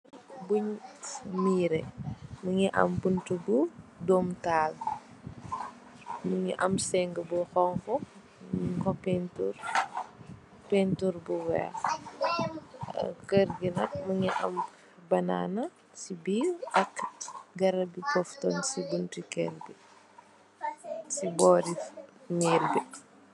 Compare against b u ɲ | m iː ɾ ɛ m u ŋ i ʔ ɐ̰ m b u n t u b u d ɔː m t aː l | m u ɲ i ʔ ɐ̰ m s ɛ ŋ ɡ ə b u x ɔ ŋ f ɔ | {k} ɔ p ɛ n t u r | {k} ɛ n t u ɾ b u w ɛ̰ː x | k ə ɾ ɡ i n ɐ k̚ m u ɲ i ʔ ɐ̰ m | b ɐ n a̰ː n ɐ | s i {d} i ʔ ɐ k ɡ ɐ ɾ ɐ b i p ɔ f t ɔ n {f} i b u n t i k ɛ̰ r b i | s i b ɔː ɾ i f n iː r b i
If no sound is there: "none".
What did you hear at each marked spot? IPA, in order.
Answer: k, p, b, s

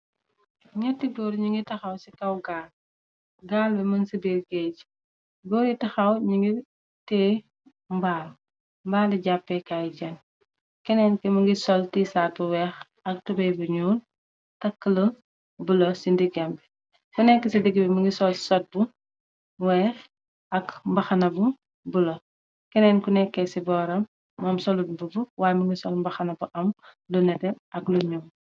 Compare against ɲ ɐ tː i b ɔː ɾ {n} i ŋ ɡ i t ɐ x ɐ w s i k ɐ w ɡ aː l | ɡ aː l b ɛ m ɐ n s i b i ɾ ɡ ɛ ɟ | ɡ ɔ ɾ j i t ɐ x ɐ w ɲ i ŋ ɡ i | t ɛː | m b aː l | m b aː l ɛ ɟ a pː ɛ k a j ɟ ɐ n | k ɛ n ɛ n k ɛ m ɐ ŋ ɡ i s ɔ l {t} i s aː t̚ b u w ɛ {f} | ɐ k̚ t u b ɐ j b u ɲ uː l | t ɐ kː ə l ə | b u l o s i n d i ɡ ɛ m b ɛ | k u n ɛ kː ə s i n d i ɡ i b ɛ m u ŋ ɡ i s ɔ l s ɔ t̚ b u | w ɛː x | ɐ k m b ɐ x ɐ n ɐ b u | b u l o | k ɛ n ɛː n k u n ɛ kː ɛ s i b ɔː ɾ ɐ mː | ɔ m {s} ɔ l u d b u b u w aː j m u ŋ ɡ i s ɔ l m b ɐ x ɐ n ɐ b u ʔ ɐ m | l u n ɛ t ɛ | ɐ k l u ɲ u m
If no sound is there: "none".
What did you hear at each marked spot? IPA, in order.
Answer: ɲ, t, x, s

